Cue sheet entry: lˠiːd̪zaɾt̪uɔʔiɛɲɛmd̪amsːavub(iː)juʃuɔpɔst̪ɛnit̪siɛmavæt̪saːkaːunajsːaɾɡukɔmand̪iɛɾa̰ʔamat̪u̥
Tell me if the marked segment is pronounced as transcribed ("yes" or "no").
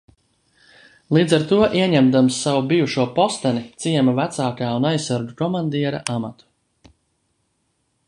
no